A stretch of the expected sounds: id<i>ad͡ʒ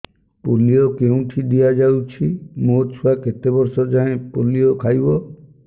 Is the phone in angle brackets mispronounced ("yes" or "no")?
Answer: no